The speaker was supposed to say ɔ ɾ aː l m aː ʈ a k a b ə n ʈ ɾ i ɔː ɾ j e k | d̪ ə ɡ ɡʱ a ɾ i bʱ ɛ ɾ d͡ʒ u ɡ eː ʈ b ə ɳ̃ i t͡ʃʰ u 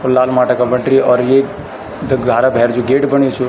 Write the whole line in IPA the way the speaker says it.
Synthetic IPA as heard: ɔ l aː l m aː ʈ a k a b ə ɳ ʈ ɾ i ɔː ɾ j e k | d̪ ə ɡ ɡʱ a ɾ a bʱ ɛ ɾ d͡ʒ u ɡ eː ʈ b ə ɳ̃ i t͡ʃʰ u